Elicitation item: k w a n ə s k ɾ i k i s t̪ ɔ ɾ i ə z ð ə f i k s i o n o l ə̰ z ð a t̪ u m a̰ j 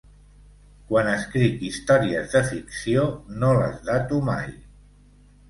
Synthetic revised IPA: k w a n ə s k ɾ i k i s t̪ ɔ ɾ i ə z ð ə f i k s i o n o l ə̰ z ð a t̪ u m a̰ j